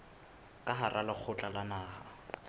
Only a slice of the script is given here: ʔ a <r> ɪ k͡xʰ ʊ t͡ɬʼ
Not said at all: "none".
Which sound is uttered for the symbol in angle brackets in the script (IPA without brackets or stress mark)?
l